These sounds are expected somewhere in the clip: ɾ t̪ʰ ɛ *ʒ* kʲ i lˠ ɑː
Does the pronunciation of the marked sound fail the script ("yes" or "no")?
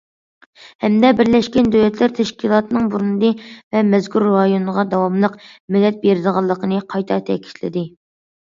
yes